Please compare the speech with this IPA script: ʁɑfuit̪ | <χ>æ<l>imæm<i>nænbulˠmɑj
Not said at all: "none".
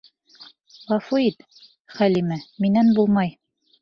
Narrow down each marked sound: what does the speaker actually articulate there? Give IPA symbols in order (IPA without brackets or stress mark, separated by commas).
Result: χ, l, i